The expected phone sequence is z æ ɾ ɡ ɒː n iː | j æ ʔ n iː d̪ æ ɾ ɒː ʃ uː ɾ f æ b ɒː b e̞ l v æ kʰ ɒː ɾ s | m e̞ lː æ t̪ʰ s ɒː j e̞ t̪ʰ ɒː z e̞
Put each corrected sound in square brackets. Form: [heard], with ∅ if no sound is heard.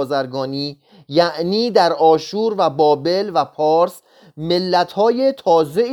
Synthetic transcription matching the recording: z æ ɾ ɡ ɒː n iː | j æ ʔ n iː d̪ æ ɾ ɒː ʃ uː ɾ [v] æ b ɒː b e̞ l v æ [pʰ] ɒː ɾ s | m e̞ lː æ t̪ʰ [h] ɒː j e̞ t̪ʰ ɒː z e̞